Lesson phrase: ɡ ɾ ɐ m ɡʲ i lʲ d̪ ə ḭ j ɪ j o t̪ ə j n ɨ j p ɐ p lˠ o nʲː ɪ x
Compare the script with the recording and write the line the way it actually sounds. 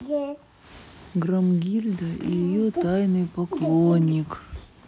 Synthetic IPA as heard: ɡ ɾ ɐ m ɡʲ i lʲ d̪ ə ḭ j ɪ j o t̪ a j n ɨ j p ɐ k lˠ o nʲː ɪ k

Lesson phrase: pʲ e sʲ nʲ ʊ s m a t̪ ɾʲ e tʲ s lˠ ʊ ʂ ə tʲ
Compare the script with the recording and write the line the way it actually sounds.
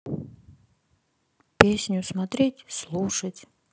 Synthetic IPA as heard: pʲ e sʲ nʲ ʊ s m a t̪ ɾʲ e tʲ s lˠ u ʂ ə tʲ

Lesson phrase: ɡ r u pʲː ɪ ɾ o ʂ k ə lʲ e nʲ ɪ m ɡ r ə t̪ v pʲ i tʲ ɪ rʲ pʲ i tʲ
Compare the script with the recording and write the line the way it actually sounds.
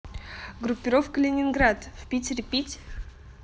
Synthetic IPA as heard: ɡ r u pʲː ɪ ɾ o f k ə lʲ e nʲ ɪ n ɡ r a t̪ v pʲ i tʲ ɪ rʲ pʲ i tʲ

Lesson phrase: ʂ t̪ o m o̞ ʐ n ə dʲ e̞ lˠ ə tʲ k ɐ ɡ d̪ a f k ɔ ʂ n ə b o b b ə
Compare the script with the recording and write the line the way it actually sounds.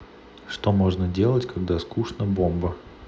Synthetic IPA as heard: ʂ t̪ o m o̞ ʐ n ə dʲ e̞ lˠ ə tʲ k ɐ ɡ d̪ a s k u ʂ n ə b o m b ə

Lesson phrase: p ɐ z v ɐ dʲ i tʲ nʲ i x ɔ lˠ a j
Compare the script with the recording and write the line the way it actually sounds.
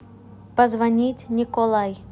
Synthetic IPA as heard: p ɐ z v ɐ nʲ i tʲ nʲ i k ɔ lˠ a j

